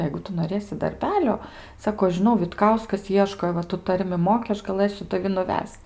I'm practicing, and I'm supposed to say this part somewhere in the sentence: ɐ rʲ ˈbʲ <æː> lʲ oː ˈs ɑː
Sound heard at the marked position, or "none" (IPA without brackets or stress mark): æː